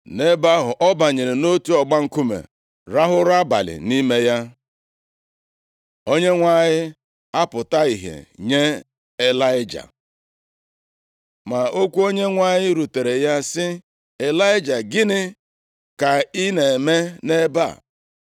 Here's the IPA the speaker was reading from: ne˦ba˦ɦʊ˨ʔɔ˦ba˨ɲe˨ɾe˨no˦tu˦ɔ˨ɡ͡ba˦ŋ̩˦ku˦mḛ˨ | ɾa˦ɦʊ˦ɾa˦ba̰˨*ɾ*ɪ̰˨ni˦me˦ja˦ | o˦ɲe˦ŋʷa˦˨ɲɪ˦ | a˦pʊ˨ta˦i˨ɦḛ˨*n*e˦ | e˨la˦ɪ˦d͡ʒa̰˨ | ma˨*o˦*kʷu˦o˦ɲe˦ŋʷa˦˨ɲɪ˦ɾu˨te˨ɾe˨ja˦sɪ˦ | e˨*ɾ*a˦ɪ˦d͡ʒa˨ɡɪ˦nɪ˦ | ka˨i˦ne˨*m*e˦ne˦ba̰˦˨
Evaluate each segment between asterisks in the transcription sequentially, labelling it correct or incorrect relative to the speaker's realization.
incorrect: l, incorrect: ɲ, correct, incorrect: l, correct

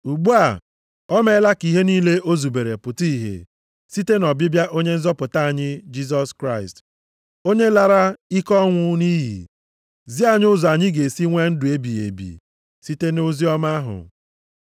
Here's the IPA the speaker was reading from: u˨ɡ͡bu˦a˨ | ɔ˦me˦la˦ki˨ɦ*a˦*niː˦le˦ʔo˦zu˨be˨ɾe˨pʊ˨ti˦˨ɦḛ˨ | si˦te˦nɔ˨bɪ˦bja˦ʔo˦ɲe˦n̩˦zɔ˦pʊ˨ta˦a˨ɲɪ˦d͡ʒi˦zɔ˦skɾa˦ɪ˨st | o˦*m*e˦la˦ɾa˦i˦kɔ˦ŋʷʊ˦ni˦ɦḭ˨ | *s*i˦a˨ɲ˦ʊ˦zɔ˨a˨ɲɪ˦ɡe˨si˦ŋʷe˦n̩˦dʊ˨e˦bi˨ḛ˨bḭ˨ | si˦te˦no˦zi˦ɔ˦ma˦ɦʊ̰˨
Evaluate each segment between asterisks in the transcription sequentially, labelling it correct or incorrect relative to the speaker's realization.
incorrect: e˦, incorrect: ɲ, incorrect: z

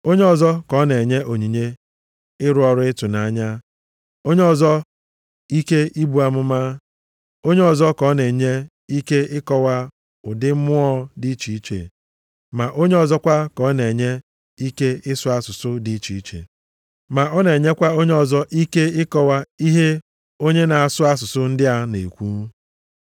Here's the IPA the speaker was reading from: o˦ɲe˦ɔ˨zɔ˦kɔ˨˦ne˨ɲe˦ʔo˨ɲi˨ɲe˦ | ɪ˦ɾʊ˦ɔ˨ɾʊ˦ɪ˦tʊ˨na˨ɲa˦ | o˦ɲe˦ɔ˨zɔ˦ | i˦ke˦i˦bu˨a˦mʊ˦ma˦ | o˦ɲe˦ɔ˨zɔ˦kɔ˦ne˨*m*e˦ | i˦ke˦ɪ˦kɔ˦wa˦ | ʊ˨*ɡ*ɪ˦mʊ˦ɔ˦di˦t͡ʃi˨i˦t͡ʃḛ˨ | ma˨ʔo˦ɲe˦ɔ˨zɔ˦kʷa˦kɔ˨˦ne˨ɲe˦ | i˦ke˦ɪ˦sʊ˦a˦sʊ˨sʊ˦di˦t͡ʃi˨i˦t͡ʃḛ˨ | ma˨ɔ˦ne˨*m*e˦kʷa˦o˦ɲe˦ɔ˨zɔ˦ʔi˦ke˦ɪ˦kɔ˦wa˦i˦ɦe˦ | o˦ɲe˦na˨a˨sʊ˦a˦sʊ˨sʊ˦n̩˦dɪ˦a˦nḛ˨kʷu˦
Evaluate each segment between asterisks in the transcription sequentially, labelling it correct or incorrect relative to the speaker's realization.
incorrect: ɲ, incorrect: d, incorrect: ɲ

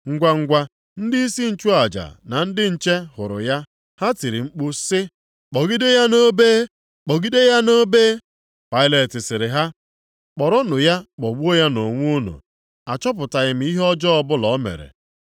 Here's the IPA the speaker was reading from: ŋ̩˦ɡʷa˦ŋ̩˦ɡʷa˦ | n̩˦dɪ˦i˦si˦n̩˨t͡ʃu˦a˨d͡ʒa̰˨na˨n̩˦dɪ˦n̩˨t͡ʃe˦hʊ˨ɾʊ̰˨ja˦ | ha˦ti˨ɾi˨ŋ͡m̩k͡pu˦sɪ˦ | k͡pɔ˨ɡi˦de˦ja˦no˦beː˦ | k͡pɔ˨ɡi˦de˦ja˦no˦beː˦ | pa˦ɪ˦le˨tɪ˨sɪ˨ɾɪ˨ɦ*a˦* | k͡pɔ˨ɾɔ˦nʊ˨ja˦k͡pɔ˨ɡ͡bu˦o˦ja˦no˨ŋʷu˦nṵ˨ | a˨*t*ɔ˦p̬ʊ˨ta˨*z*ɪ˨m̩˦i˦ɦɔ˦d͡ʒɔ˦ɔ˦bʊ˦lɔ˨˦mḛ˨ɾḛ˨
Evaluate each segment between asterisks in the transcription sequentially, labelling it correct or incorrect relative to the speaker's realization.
correct, incorrect: t͡ʃ, incorrect: ɣ

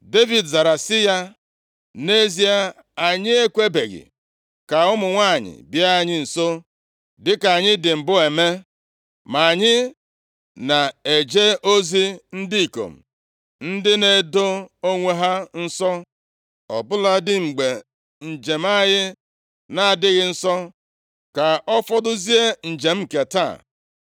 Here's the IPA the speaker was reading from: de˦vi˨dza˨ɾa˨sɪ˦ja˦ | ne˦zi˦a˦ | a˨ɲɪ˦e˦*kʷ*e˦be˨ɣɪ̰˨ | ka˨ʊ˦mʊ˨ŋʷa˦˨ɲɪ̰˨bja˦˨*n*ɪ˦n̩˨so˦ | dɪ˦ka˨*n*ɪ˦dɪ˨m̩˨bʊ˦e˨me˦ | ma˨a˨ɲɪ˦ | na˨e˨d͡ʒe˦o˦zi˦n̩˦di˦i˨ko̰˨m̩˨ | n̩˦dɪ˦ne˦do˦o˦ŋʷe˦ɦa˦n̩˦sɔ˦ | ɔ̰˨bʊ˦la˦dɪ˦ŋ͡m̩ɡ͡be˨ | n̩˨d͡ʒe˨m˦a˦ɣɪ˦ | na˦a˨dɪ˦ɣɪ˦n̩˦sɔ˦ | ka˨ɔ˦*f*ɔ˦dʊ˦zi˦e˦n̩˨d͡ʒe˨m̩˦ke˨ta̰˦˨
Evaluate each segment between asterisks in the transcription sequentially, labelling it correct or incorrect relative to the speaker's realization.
correct, incorrect: ɲ, incorrect: ɲ, correct

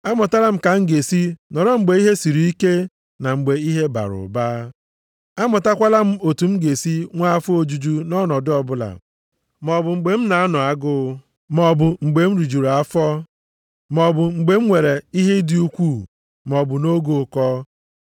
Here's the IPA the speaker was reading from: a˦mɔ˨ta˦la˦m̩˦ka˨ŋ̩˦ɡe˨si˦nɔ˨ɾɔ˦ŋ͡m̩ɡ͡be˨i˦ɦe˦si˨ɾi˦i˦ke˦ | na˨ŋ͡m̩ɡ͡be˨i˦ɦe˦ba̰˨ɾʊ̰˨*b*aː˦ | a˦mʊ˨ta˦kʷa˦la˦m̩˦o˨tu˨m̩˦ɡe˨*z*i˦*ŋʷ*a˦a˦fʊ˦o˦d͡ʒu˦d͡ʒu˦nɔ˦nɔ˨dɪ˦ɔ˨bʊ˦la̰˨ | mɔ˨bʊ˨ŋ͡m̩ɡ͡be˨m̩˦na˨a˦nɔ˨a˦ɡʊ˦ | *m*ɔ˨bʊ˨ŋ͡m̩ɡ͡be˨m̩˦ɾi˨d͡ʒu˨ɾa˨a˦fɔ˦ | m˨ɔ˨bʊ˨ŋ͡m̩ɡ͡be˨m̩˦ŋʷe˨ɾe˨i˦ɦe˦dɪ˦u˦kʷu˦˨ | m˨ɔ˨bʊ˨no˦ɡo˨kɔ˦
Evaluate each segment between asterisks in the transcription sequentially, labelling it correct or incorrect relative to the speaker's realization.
correct, incorrect: s, correct, correct

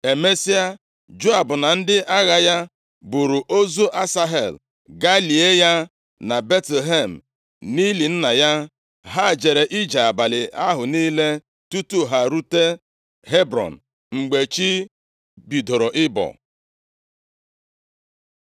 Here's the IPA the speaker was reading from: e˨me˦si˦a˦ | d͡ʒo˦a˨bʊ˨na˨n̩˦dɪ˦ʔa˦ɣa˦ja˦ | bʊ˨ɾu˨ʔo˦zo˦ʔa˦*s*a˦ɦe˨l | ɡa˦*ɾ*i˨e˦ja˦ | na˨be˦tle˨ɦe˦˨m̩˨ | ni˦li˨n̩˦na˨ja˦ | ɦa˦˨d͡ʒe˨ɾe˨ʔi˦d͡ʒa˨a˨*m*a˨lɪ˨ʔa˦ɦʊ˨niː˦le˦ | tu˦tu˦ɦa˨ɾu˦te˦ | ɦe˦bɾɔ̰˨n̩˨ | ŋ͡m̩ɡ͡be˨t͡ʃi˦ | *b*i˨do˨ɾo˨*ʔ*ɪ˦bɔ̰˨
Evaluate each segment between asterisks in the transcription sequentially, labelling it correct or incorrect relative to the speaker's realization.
correct, incorrect: l, incorrect: b, correct, correct

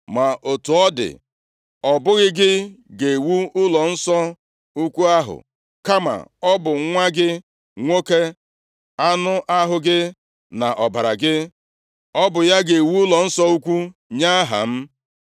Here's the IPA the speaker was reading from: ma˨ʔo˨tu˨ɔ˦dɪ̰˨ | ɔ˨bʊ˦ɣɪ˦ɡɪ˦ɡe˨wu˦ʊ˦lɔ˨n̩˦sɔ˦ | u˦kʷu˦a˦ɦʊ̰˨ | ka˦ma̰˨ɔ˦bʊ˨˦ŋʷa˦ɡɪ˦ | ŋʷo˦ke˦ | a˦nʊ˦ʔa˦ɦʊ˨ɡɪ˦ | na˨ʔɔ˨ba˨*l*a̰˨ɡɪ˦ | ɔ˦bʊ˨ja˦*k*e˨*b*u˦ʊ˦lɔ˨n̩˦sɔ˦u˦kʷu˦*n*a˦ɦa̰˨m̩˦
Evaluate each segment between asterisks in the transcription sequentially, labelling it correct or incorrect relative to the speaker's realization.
incorrect: ɾ, incorrect: ɡ, incorrect: w, incorrect: ɲ

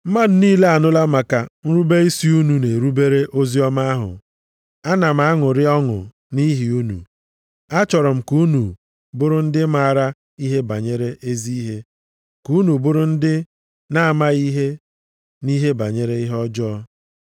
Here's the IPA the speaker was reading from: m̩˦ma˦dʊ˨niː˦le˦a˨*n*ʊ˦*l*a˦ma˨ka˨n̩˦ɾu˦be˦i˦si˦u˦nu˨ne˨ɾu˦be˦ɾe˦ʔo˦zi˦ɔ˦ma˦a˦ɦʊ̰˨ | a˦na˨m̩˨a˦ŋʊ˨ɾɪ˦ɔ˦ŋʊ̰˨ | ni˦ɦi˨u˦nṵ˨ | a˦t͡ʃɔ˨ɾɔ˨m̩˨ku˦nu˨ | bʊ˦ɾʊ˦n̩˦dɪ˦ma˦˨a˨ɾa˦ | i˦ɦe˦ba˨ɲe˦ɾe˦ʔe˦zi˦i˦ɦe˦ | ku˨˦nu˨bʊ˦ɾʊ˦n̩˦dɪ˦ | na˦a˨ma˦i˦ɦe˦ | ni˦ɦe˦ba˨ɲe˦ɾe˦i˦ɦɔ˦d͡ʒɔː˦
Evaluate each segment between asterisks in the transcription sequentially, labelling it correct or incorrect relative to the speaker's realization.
correct, correct

